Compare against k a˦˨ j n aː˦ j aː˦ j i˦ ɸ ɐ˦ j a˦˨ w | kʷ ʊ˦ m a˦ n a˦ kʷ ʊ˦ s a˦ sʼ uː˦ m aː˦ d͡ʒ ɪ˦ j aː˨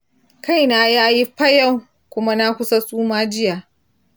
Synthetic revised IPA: k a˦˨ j n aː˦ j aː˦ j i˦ ɸ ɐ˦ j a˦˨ w | kʷ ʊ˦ m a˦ n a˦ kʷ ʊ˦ s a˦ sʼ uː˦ m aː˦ d͡ʒ ɪ˦ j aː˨